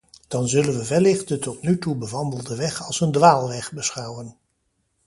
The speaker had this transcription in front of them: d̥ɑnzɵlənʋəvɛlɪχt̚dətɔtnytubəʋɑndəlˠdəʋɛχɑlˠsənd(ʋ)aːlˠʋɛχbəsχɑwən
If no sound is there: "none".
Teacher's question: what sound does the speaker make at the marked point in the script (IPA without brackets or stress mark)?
ʋ